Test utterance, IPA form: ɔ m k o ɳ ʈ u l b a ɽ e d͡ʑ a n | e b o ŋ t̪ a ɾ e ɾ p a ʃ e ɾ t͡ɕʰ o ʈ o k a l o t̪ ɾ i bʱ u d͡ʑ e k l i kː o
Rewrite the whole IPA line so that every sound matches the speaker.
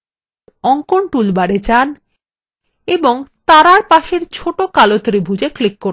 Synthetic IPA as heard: ɔ ŋ k o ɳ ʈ u l b a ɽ e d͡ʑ a n | e b o ŋ t̪ a ɾ a ɾ p a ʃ e ɾ t͡ɕʰ o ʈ o k a l o t̪ ɾ i bʱ u d͡ʑ e k l i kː o